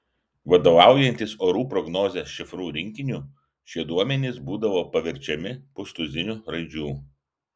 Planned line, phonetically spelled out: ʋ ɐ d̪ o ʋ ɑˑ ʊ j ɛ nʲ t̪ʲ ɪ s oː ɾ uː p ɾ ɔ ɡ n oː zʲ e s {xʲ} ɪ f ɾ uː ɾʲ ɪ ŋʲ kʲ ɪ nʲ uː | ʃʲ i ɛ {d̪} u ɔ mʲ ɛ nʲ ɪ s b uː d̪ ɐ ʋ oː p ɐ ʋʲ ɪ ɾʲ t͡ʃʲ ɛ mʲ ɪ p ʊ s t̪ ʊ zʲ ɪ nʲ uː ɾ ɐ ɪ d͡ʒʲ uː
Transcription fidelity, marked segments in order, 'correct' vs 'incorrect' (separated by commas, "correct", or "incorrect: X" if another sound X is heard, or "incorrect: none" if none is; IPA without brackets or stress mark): incorrect: ʃʲ, correct